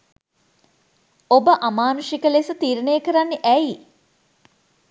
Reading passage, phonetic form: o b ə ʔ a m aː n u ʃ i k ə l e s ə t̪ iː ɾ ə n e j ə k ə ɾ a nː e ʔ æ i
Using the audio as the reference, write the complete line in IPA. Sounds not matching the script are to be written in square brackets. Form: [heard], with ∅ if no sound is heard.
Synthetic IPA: o b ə ʔ a m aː n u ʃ i k ə l e s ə t̪ iː ɾ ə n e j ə k ə ɾ a nː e ʔ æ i